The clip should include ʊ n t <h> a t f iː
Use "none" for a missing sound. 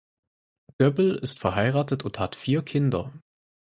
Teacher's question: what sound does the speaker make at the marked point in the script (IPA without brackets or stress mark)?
h